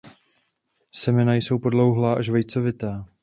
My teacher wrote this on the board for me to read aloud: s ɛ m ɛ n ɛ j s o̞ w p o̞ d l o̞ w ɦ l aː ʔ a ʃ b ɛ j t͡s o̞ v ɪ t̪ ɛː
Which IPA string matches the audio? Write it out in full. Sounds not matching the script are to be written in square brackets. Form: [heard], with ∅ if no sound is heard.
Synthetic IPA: s ɛ m ɛ n [a] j s o̞ w p o̞ d l o̞ w ɦ l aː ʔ a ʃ [v] ɛ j t͡s o̞ v ɪ t̪ [aː]